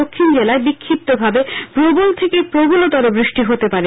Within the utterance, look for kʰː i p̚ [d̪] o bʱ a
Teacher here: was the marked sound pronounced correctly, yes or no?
no